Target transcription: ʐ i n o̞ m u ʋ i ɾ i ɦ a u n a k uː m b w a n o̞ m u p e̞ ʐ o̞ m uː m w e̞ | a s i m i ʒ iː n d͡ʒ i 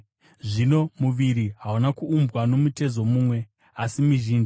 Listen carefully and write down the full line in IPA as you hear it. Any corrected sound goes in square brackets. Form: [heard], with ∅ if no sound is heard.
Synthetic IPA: ʐ i n o̞ m u ʋ i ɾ i ɦ a u n a k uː m b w a n o̞ m u [t] e̞ [z] o̞ m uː m w e̞ | a s i m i ʒ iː n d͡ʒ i